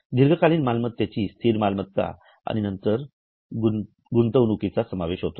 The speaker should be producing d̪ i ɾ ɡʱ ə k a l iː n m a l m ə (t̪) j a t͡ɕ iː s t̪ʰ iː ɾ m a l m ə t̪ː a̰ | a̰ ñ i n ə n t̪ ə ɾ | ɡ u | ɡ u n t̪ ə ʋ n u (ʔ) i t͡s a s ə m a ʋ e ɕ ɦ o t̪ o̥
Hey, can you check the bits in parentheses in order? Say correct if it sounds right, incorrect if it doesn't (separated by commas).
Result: correct, incorrect